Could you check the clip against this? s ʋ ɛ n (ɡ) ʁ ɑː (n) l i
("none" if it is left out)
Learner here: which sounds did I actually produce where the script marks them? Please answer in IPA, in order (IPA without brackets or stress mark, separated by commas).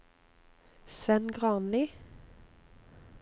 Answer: ɡ, n